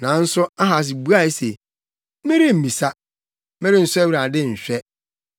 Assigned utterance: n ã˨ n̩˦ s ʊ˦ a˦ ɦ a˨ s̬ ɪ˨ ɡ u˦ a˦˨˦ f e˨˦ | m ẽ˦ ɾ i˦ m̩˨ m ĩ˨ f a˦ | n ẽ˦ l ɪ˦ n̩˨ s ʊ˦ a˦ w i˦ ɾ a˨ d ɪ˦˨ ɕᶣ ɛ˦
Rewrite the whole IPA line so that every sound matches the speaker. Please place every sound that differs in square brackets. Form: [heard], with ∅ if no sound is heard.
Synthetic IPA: n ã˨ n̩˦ s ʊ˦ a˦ ɦ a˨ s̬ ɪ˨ [b] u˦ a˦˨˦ [s] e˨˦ | m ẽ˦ ɾ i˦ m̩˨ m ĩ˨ [s] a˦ | [m] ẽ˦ [ɾ] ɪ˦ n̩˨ s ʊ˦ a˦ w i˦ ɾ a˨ d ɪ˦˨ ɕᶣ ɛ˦